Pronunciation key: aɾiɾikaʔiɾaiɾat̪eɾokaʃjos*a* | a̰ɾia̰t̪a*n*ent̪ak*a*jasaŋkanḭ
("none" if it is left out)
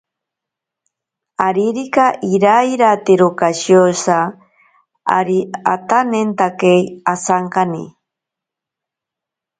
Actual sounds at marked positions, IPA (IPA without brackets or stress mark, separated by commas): a, n, e